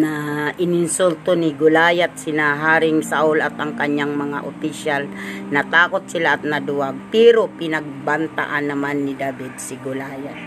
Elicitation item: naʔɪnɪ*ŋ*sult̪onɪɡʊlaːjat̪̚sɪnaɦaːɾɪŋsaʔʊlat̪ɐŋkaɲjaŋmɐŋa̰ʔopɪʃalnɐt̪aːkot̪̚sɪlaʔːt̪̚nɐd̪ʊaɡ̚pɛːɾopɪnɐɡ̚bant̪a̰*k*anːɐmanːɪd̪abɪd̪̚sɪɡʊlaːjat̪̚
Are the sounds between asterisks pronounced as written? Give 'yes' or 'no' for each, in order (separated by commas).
no, no